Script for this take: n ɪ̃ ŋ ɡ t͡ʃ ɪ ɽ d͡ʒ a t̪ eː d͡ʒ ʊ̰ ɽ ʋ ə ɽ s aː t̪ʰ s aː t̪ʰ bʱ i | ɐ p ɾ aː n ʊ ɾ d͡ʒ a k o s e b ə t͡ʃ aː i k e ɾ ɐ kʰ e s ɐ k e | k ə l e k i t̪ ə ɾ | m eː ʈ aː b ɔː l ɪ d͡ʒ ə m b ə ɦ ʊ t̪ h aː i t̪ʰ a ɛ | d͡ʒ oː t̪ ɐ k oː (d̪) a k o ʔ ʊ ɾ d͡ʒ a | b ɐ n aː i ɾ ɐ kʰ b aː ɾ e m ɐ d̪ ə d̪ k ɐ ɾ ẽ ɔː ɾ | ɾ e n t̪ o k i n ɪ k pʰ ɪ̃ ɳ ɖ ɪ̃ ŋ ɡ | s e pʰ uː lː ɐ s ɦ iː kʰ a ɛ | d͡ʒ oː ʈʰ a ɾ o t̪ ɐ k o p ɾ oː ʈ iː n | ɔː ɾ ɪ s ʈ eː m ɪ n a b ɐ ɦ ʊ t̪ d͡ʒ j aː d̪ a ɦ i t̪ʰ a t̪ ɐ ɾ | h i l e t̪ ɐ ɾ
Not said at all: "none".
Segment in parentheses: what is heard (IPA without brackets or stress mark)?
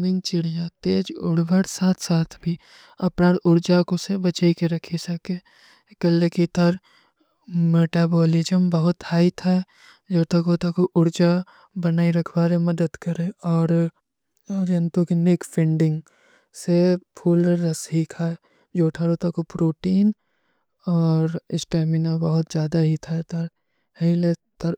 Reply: t̪